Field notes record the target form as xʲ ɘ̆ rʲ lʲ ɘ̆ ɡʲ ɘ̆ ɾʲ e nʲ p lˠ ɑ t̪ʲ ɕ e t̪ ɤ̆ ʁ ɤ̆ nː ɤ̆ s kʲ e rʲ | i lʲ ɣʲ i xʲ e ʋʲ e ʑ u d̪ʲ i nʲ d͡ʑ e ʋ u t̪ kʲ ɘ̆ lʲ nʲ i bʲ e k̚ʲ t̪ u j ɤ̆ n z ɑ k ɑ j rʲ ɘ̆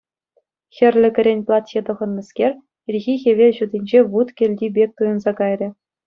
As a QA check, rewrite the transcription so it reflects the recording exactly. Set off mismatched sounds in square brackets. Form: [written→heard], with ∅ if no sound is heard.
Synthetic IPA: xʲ ɘ̆ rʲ lʲ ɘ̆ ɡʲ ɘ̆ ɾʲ e nʲ p lˠ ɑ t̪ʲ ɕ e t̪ ɤ̆ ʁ ɤ̆ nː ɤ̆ s kʲ e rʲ | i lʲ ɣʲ i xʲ e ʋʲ e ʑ u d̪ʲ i nʲ d͡ʑ e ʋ u t̪ kʲ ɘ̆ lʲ [nʲ→dʲ] i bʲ e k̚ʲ t̪ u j ɤ̆ n z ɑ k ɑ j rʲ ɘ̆